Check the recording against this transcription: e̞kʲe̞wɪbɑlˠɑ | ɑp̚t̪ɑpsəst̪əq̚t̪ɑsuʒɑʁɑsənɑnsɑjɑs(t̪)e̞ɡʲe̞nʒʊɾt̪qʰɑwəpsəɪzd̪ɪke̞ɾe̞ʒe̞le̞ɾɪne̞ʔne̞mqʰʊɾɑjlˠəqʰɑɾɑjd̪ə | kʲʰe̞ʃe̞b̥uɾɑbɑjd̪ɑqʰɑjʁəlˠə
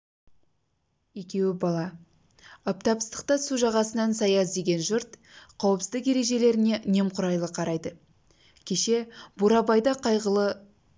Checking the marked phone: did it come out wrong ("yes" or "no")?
yes